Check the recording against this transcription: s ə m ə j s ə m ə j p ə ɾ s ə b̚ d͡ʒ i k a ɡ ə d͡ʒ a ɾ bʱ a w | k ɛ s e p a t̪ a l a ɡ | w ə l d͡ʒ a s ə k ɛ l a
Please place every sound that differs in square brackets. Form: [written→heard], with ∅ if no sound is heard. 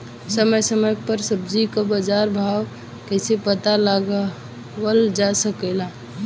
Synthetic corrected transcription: s ə m ə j s ə m ə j p ə ɾ s ə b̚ d͡ʒ i k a [ɡ→b] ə d͡ʒ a ɾ bʱ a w | k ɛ s e p [a→ə] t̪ a l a ɡ | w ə l d͡ʒ a s ə k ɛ l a